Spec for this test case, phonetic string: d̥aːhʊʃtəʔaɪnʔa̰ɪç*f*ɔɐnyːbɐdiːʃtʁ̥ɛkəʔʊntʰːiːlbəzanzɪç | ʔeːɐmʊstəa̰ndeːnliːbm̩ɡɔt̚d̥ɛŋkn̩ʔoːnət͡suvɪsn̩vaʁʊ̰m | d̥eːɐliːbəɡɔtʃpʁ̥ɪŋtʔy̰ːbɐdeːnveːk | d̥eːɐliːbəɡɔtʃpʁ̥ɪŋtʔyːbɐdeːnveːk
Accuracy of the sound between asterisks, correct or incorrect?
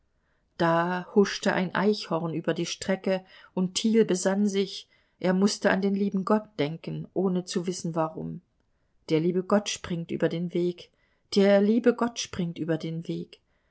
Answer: incorrect